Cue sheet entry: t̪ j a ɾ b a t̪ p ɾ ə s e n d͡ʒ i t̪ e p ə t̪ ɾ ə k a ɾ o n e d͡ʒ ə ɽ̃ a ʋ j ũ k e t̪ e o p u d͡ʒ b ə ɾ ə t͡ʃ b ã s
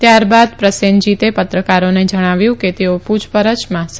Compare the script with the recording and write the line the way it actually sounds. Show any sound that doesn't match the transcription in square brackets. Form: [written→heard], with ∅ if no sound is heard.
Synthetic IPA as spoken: t̪ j a ɾ b a [t̪→d̪] p ɾ ə s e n d͡ʒ i t̪ e p ə t̪ ɾ ə k a ɾ o n e d͡ʒ ə ɽ̃ a ʋ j ũ k e t̪ e o p u d͡ʒ [b→p] ə ɾ ə t͡ʃ [b→m] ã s